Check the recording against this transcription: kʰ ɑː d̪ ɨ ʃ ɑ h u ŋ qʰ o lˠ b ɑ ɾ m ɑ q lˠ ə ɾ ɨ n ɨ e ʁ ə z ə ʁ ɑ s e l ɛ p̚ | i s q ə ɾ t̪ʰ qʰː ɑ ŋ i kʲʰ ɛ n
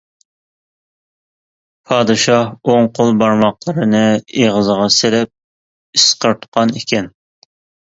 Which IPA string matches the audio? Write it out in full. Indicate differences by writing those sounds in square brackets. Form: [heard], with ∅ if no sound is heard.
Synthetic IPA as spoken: [pʰ] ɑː d̪ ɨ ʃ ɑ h [o] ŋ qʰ o lˠ b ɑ ɾ m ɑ q lˠ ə ɾ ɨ n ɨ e ʁ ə z ə ʁ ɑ s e l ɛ p̚ | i s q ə ɾ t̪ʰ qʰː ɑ [n] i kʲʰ ɛ n